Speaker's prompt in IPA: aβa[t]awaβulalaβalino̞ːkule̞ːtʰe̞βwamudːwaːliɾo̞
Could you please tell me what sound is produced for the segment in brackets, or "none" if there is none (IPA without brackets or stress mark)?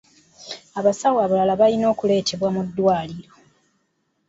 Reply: s